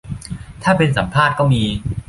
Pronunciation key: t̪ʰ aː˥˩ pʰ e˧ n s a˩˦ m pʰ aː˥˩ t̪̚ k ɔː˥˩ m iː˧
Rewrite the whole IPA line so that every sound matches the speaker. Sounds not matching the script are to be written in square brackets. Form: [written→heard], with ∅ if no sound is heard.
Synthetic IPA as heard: t̪ʰ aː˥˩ [pʰ→p] e˧ n s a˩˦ m pʰ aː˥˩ t̪̚ k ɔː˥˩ m iː˧